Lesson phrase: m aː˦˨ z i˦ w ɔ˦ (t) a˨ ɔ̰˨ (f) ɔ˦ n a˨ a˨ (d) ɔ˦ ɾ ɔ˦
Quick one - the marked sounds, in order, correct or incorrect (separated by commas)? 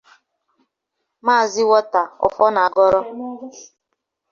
correct, correct, incorrect